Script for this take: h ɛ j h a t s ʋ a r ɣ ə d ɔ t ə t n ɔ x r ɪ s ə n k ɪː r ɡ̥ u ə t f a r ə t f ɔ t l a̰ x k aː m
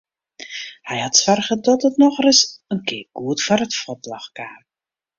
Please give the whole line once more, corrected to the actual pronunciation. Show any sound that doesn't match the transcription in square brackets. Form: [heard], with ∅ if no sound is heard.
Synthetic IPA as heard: h ɛ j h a t s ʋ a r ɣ ə d ɔ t ə t n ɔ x r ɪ s ə n k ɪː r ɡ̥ u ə t f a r ə t f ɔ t l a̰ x k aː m